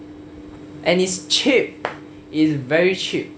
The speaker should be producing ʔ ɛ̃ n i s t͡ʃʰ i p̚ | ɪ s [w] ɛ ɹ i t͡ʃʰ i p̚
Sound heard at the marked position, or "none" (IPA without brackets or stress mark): v